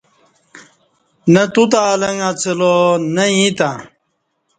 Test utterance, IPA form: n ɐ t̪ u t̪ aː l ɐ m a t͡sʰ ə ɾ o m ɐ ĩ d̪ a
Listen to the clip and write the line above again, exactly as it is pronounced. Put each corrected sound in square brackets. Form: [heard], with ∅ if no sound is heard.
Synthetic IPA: n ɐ t̪ u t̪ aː l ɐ [ŋ] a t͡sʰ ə [l] o [n] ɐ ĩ [t̪] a